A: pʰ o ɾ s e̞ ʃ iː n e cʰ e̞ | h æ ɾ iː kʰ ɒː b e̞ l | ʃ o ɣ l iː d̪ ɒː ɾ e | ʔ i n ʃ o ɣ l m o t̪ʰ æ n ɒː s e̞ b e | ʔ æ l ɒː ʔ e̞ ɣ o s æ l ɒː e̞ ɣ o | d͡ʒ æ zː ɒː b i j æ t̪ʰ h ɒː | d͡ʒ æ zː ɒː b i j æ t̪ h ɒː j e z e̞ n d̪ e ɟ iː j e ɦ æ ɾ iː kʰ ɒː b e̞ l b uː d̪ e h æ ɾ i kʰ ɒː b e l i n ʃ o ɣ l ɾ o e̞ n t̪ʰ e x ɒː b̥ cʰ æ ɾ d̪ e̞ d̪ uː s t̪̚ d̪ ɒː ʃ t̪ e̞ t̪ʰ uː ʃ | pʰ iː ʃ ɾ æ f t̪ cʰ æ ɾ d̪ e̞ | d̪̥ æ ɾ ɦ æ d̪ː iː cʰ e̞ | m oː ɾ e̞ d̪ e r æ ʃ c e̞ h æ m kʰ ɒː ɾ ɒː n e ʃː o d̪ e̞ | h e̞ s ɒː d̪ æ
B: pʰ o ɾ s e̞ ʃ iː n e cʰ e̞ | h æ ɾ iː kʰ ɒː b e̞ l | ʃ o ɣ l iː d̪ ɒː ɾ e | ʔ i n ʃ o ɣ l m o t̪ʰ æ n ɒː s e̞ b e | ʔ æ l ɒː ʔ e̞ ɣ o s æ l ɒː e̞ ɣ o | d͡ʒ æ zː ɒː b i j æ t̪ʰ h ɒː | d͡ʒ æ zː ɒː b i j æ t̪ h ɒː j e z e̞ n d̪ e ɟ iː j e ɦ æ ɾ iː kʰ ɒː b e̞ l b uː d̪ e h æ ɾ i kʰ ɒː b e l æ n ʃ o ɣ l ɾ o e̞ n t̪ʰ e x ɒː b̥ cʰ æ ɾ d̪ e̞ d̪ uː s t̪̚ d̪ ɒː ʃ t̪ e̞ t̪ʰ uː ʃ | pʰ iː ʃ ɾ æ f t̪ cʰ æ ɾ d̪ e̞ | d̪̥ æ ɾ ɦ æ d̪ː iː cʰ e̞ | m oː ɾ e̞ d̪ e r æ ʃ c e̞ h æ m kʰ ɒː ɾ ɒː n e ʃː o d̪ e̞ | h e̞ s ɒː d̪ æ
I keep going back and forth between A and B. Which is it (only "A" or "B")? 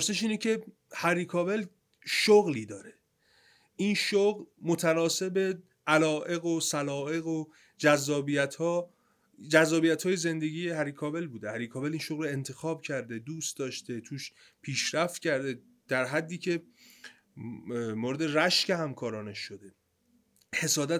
A